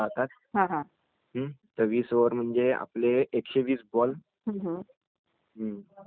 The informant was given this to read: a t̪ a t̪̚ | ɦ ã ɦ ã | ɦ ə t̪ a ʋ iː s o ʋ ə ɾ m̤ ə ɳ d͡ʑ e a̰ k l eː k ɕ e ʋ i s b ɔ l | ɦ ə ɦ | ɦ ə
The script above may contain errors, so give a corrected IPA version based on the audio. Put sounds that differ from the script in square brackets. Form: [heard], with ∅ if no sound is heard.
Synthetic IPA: a t̪ a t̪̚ | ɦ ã ɦ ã | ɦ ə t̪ [ə] ʋ iː s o ʋ ə ɾ m̤ ə ɳ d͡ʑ e a̰ [p] l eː k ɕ e ʋ [iː] s b ɔ l | ɦ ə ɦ | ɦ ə